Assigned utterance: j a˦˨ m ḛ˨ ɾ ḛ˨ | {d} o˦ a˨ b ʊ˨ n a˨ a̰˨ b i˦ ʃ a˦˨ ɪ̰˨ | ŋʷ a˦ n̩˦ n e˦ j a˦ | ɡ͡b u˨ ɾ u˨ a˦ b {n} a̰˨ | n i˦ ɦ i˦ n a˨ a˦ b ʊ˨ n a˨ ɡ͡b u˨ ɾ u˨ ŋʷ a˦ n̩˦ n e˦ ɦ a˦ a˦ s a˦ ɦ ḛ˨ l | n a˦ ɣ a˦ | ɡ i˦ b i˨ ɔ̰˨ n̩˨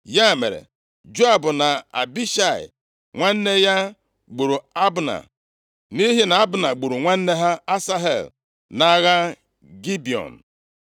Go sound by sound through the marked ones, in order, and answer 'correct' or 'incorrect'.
incorrect: d͡ʒ, correct

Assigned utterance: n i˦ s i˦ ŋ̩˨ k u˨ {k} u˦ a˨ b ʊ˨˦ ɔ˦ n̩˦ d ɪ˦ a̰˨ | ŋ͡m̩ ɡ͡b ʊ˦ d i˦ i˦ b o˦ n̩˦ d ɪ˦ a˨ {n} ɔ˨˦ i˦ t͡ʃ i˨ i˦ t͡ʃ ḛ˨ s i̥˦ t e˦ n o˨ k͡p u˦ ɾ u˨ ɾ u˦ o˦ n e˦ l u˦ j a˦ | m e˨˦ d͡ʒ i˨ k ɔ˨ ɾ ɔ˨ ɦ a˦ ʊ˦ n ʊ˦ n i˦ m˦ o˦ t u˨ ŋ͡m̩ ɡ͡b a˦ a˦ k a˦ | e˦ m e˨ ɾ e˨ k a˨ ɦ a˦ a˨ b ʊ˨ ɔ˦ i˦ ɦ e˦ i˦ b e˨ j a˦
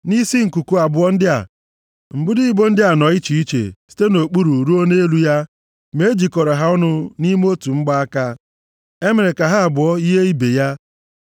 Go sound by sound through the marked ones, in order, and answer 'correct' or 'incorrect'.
correct, correct

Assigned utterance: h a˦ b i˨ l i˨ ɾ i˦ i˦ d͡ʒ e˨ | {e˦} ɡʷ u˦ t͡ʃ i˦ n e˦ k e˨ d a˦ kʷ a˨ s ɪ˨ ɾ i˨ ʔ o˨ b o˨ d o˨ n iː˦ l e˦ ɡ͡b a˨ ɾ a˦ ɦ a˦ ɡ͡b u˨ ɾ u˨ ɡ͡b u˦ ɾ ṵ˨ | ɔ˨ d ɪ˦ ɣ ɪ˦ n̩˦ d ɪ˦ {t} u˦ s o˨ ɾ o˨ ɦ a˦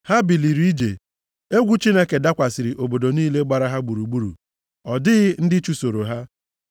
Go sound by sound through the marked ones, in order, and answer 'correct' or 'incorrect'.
correct, incorrect: t͡ʃ

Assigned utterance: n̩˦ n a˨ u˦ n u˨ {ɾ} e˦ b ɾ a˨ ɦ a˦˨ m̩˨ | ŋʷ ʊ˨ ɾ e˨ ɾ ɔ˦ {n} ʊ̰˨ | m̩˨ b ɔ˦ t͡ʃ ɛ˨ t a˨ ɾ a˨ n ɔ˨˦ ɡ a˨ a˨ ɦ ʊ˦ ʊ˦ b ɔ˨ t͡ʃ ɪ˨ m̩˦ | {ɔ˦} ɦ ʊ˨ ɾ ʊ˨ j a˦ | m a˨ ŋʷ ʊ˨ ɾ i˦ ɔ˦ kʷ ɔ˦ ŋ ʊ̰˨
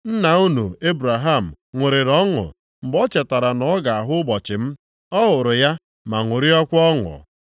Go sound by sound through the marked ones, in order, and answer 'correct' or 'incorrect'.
incorrect: none, incorrect: ŋ, correct

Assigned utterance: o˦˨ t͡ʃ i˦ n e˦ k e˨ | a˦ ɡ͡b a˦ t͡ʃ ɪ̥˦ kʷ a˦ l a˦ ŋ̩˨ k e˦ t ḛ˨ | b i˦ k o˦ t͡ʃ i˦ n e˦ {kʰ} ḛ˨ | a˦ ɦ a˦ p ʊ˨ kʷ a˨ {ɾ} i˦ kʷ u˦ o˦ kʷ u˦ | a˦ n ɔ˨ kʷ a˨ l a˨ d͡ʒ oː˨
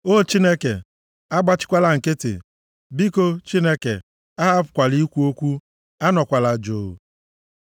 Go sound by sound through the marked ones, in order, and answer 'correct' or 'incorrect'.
incorrect: k, incorrect: l

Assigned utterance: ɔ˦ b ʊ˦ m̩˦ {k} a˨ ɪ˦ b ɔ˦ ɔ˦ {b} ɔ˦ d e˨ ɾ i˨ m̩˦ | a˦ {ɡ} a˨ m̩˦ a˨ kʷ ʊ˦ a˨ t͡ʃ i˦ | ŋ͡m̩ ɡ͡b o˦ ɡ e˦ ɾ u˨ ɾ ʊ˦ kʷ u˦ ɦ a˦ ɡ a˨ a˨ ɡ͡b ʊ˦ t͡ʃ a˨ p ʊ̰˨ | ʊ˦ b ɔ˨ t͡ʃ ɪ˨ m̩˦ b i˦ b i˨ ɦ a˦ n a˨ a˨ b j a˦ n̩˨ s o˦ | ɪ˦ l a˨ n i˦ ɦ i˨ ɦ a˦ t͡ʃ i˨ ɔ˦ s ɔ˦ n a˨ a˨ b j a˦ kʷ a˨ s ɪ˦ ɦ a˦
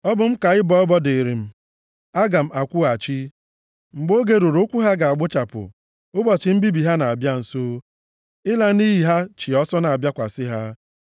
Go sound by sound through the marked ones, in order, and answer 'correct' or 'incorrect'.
correct, correct, correct

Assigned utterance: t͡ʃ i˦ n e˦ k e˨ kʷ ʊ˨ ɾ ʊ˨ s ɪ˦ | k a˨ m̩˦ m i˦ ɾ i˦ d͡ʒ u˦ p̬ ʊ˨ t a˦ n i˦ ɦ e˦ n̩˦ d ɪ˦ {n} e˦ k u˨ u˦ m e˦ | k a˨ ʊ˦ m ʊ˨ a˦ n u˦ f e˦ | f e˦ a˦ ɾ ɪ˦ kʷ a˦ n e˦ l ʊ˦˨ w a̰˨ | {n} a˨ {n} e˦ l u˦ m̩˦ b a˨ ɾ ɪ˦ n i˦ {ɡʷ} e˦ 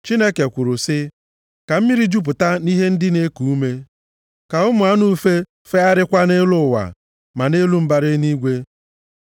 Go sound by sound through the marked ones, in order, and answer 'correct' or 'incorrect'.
correct, incorrect: m, correct, correct

